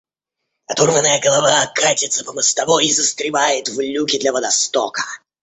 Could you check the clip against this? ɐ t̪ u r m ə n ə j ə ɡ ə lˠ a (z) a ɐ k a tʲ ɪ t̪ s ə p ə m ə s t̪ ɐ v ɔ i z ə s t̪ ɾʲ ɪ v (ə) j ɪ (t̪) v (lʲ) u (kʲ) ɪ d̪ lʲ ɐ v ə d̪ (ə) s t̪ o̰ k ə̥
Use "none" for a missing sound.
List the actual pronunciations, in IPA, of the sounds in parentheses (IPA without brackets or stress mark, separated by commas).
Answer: v, a, t̪, lʲ, kʲ, ɐ